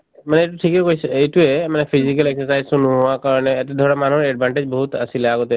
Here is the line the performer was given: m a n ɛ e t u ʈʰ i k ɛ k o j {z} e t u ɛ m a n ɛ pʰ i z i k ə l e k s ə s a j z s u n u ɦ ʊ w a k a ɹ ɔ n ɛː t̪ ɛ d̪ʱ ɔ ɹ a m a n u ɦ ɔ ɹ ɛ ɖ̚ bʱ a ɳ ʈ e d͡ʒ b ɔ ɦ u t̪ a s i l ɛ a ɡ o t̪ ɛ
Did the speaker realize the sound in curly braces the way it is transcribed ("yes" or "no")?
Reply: no